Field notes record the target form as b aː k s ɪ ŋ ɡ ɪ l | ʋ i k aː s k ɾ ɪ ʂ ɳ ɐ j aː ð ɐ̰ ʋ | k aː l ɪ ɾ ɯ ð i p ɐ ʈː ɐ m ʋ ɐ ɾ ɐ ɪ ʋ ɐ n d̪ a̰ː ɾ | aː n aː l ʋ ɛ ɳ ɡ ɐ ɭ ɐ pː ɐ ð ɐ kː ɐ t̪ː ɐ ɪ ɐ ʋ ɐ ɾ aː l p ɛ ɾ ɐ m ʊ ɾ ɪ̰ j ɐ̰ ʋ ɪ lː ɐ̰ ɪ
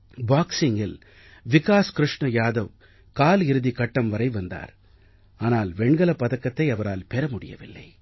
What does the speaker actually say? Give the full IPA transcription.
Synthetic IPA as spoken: b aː k s ɪ ŋ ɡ ɪ l | ʋ ɪ k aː s k ɾ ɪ ʂ ɳ ɐ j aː ð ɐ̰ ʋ | k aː l ɪ ɾ ɯ ð i k ɐ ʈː ɐ m ʋ ɐ ɾ ɐ ɪ ʋ ɐ n d̪ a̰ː ɾ | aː n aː l ʋ ɛ ɳ ɡ ɐ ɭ ɐ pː ɐ ð ɐ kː ɐ t̪ː ɐ ɪ ɐ ʋ ɐ ɾ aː l p ɛ ɾ ɐ m ʊ ɽ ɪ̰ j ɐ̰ ʋ ɪ lː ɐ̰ ɪ